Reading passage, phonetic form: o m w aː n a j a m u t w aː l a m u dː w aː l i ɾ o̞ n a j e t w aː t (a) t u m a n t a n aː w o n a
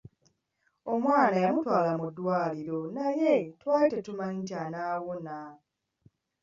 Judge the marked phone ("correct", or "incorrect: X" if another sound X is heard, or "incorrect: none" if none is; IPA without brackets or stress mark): incorrect: e